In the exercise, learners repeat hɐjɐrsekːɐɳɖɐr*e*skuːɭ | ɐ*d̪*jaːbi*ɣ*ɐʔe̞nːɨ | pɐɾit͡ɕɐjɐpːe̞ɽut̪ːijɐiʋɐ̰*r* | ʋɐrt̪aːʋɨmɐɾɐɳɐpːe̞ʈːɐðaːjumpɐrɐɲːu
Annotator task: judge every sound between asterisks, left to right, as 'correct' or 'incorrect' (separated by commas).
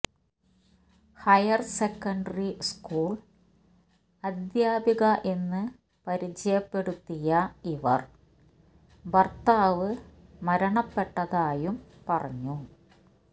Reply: incorrect, correct, correct, correct